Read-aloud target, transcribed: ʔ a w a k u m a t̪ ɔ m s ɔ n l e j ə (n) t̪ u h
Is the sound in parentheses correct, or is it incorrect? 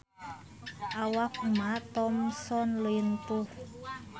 correct